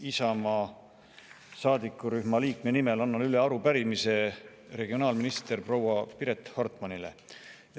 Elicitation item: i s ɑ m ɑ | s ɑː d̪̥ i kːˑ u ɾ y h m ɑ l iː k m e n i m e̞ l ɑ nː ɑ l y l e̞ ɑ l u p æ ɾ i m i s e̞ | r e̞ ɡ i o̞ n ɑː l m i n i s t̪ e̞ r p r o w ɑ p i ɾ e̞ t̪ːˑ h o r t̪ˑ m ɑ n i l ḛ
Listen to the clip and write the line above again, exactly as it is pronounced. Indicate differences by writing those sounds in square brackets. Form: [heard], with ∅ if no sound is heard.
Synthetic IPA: i s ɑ m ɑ | s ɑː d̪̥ i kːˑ u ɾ y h m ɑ l iː k m e n i m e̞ l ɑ nː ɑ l y l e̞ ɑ [ɾ] u p æ ɾ i m i s e̞ | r e̞ ɡ i o̞ n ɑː l m i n i s t̪ e̞ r p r o w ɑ p i ɾ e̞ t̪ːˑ h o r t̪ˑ m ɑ n i l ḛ